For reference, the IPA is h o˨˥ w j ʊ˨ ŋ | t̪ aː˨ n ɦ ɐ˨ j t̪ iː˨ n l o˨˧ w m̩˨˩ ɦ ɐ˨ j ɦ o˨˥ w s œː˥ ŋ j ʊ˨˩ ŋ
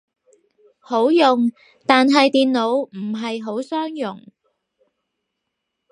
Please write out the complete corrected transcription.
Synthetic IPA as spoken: h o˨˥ w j ʊ˨ ŋ | t̪ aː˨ n ɦ ɐ˨ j t̪ iː˨ n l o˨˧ w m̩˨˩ ɦ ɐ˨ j ɦ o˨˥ w s œː˥ ŋ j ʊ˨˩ ŋ